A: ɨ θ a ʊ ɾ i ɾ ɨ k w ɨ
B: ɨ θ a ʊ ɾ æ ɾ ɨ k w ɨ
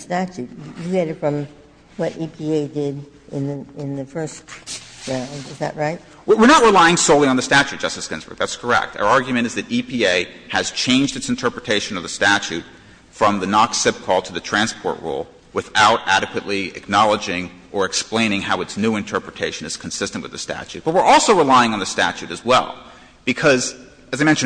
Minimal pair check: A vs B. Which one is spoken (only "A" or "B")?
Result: B